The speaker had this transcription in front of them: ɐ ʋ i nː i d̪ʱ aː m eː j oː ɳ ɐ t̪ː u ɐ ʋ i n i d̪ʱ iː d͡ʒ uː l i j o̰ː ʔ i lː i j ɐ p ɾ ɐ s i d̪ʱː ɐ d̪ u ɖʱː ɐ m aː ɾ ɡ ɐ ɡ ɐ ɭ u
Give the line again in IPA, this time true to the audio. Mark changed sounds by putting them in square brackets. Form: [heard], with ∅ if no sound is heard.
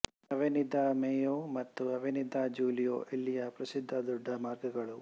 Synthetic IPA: ɐ ʋ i [n] i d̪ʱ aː m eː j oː [m] ɐ t̪ː u ɐ ʋ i n i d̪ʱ [aː] d͡ʒ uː l i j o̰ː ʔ i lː i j ɐ p ɾ ɐ s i d̪ʱː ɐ d̪ u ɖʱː ɐ m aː ɾ ɡ ɐ ɡ ɐ ɭ u